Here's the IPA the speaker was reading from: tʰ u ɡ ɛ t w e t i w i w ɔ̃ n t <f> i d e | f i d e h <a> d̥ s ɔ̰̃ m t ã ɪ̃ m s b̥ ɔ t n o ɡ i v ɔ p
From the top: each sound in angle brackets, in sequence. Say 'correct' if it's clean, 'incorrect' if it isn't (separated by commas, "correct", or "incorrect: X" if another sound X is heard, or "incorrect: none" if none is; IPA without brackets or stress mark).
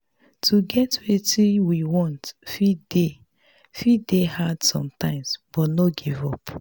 correct, correct